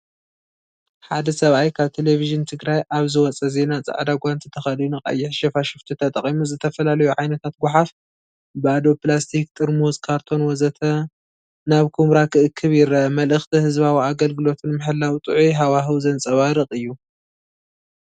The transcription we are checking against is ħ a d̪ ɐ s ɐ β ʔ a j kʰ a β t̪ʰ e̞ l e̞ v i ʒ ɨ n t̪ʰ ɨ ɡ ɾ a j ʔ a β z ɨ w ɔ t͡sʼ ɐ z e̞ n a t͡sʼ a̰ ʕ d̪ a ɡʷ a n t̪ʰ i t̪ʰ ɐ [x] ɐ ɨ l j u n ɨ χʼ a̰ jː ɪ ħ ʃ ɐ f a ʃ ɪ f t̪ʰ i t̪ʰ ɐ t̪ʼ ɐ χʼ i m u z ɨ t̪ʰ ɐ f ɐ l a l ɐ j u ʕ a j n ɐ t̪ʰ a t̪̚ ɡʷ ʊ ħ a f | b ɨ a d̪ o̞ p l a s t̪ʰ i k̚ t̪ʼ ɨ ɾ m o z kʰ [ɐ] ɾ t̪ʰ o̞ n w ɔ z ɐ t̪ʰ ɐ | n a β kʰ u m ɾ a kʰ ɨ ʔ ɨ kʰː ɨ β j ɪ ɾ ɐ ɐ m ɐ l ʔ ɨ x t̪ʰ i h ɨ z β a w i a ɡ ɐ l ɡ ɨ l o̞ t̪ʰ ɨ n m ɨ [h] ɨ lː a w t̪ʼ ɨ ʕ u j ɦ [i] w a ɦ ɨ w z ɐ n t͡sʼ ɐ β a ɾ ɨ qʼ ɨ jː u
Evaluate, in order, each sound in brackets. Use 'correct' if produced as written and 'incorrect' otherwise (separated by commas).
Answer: correct, incorrect, incorrect, incorrect